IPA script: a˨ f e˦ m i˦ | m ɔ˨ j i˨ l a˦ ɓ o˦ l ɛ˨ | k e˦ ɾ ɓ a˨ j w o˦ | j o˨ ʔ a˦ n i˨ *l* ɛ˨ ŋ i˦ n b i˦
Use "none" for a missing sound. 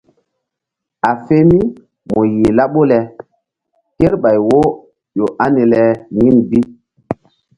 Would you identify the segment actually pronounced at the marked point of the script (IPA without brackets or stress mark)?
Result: l